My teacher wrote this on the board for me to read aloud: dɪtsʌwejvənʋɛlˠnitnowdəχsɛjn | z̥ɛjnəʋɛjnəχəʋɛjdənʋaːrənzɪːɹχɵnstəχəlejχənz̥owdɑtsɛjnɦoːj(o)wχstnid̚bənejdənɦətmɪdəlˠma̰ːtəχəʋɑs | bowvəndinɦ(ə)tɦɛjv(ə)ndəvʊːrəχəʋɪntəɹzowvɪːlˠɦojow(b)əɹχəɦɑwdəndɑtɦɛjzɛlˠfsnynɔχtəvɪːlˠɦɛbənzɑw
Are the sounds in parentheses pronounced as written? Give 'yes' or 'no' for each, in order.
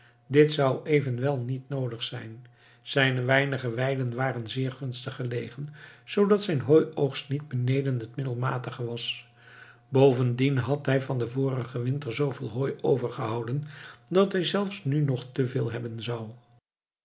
yes, no, no, no

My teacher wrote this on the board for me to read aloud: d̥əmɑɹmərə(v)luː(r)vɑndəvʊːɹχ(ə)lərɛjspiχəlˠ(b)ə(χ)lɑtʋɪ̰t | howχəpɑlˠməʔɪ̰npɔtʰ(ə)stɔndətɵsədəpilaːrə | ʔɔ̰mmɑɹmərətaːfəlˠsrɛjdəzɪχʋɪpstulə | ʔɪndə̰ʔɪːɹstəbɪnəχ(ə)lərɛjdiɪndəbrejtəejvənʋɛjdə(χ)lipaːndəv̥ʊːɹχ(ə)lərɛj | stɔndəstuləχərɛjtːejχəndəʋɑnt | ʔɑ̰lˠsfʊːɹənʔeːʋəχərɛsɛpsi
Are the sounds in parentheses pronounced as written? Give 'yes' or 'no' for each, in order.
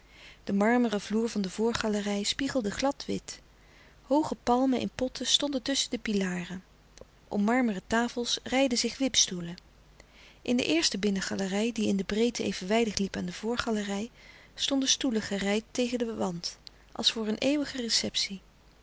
yes, no, no, no, yes, yes, no, yes, no

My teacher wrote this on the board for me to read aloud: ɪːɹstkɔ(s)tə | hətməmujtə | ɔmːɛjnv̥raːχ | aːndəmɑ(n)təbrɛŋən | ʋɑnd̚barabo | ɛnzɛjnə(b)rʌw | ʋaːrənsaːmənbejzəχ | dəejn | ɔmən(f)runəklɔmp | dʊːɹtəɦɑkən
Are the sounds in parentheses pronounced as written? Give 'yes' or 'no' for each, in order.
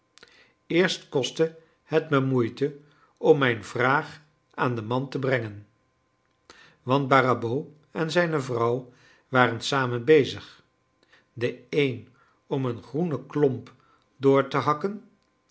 yes, yes, no, no

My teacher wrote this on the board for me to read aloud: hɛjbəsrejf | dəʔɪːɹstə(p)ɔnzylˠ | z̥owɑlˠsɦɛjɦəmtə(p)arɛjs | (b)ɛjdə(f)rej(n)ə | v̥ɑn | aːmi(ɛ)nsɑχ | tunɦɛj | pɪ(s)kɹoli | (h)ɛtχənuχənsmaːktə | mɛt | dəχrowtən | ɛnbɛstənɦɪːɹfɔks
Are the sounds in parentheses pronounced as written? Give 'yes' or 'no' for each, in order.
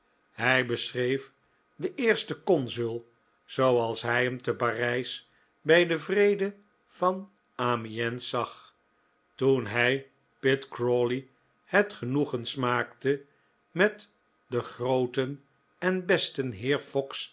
no, yes, yes, no, no, yes, no, yes

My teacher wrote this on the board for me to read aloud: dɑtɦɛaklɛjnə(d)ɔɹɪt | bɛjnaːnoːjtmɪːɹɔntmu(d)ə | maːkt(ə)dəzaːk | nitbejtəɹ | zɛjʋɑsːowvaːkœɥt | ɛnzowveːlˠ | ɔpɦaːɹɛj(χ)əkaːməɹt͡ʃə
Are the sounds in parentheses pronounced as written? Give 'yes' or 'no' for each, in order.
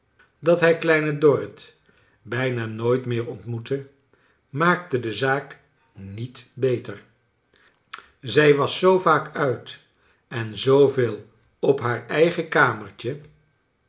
yes, no, yes, yes

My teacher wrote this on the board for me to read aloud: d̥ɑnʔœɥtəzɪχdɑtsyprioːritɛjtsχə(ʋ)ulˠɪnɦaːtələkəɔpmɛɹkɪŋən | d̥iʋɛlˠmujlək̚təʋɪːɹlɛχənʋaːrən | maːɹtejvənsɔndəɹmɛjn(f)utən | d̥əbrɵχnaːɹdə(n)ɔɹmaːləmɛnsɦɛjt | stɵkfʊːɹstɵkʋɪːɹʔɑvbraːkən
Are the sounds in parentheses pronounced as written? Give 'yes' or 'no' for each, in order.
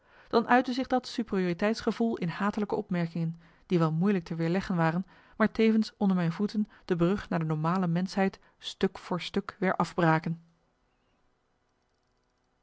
no, no, yes

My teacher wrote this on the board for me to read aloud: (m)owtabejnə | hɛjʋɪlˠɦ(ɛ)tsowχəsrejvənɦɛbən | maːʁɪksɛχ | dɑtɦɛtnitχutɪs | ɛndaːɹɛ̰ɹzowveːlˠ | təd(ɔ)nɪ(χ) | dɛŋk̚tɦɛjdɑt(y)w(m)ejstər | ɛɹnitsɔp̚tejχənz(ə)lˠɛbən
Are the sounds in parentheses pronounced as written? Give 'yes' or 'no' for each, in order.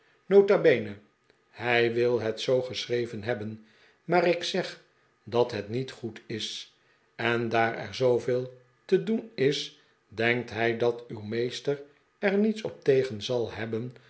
no, yes, no, no, yes, yes, no

